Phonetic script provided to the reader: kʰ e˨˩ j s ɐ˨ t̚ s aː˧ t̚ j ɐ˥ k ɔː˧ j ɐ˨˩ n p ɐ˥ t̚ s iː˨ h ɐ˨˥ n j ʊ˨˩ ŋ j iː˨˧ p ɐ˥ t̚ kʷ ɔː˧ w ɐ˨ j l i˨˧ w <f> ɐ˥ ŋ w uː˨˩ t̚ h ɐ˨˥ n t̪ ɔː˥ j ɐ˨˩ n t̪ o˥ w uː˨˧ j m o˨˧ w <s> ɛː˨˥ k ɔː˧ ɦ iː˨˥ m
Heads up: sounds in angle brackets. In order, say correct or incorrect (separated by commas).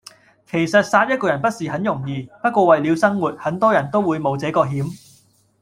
incorrect, incorrect